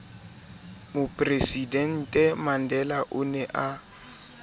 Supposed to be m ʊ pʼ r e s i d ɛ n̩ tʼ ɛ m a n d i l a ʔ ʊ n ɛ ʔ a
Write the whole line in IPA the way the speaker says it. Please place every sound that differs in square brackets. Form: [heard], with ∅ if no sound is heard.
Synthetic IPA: m ʊ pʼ r e s i d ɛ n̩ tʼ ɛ m a n d [ɛ] l a ʔ ʊ n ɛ ʔ a